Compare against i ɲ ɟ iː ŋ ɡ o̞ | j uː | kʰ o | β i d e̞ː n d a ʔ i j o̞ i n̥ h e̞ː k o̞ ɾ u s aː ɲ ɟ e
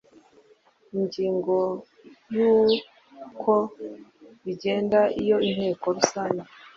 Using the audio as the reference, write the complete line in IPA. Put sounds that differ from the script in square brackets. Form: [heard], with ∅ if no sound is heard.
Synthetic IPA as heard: i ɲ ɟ iː ŋ ɡ o̞ | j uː | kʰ o | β i [ɟ] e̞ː n d a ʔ i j o̞ i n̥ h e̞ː k o̞ ɾ u s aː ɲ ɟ e